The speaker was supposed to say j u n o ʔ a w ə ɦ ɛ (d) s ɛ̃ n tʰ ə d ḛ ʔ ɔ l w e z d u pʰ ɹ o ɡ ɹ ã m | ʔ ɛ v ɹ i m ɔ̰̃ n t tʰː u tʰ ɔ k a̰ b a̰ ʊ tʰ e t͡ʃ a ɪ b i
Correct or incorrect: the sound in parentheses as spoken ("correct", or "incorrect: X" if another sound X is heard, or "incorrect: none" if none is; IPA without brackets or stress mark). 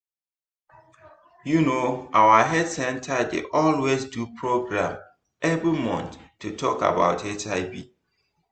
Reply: correct